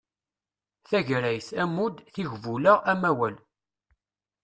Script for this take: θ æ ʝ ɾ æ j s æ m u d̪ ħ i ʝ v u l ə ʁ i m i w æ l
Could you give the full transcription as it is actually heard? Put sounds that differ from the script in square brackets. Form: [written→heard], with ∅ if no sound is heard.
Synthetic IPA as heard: θ æ ʝ ɾ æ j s æ m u d̪ [ħ→θ] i ʝ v u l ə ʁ [i→æ] m [i→æ] w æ l